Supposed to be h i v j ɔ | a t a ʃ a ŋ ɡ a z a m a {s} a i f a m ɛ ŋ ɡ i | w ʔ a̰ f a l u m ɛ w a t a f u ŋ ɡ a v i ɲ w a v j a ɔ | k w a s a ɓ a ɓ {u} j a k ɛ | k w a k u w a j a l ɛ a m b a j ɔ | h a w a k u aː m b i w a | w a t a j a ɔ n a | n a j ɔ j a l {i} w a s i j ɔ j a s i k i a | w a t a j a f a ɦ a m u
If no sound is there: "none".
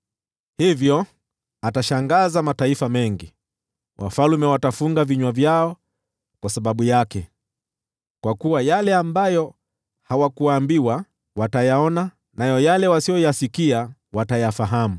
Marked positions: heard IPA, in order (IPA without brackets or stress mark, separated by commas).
t, u, ɛ